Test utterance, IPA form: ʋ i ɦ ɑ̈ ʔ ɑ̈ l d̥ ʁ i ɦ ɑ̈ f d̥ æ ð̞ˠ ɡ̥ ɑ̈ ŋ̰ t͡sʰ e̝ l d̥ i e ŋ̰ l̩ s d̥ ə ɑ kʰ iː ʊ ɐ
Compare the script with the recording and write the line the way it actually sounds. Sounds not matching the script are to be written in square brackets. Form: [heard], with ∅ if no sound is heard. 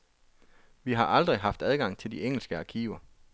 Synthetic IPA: ʋ i ɦ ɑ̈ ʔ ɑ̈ l d̥ ʁ i ɦ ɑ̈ f d̥ æ ð̞ˠ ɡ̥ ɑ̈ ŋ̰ t͡sʰ e̝ l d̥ i e ŋ̰ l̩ s [ɡ̥] ə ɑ kʰ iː ʊ ɐ

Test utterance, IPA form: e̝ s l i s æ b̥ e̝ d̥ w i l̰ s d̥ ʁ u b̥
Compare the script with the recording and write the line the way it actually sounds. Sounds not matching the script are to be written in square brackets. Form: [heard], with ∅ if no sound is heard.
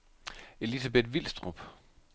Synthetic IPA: e̝ [∅] l i s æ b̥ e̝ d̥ [ʋ] i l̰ s d̥ ʁ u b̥

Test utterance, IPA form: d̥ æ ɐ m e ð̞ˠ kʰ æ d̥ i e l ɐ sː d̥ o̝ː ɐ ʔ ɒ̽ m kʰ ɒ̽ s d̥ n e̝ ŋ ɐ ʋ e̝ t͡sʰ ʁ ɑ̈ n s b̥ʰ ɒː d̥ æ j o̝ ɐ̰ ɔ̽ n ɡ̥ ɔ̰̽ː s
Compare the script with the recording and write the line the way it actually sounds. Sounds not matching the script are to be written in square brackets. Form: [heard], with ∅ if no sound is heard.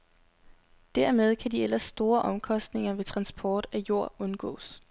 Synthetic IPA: d̥ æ ɐ m e ð̞ˠ kʰ æ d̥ i e l ɐ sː d̥ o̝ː ɐ ʔ ɒ̽ m kʰ ɒ̽ s d̥ n e̝ ŋ ɐ ʋ e̝ t͡sʰ ʁ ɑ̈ n s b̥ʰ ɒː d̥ æ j o̝ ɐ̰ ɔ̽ n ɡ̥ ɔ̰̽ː s

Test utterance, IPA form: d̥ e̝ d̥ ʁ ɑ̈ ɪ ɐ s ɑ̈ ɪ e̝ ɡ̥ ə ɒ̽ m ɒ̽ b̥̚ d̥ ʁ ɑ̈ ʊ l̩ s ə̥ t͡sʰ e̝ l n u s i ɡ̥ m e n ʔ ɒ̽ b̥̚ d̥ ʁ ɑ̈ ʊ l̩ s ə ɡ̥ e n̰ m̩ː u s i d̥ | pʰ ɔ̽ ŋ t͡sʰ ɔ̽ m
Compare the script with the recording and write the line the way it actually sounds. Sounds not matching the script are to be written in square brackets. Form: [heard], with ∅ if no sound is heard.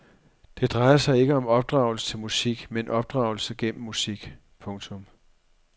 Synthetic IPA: d̥ e̝ d̥ ʁ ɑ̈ ɪ ɐ s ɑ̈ ɪ e̝ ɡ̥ ə ɒ̽ m ɒ̽ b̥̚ d̥ ʁ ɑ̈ ʊ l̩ s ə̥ t͡sʰ e̝ l [m] u s i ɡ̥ m e n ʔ ɒ̽ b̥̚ d̥ ʁ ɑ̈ ʊ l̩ s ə ɡ̥ e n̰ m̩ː u s i [ɡ̥] | pʰ ɔ̽ ŋ t͡sʰ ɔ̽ m

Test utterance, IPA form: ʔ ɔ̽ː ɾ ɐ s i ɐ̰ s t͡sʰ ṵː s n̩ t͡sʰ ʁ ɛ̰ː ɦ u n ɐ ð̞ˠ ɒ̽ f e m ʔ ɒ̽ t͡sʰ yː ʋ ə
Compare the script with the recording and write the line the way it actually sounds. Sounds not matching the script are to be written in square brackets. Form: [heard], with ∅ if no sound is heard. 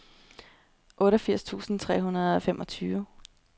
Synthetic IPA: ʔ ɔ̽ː ɾ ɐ [f] i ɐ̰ s t͡sʰ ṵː s n̩ t͡sʰ ʁ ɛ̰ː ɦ u n ɐ ð̞ˠ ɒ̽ f e m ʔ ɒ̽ t͡sʰ yː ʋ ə

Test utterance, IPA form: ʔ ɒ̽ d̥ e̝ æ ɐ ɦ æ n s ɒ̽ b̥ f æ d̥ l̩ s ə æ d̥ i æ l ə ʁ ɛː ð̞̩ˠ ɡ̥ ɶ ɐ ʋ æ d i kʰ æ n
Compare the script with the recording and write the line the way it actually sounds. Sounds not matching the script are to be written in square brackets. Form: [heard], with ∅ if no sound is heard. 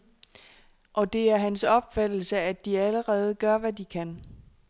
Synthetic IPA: ʔ ɒ̽ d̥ e̝ æ ɐ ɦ æ n s ɒ̽ b̥ f æ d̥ l̩ s ə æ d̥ i æ l ə ʁ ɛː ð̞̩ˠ ɡ̥ ɶ ɐ ʋ æ d i kʰ æ n

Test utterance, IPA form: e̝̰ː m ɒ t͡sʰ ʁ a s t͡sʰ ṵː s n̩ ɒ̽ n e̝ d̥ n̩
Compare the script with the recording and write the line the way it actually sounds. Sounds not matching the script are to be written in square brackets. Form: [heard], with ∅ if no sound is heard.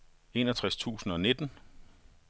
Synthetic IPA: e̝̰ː [n] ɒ t͡sʰ ʁ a s t͡sʰ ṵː s n̩ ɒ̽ n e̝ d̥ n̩

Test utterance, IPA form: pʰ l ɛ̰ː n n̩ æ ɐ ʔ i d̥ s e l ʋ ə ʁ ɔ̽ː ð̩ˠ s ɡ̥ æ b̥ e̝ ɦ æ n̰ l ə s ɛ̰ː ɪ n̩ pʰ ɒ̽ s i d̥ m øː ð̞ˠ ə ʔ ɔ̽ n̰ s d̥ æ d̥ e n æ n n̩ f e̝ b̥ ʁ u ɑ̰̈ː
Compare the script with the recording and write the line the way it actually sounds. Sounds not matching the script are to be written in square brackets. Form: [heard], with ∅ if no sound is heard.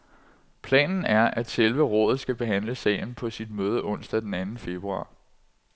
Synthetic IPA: pʰ l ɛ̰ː n n̩ æ ɐ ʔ [æ] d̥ s e l ʋ ə ʁ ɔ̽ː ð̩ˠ s ɡ̥ æ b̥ e̝ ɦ æ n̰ l ə s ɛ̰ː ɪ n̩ pʰ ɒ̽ s i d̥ m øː ð̞ˠ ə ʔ ɔ̽ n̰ s d̥ æ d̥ e n æ n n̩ f e̝ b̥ ʁ u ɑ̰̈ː

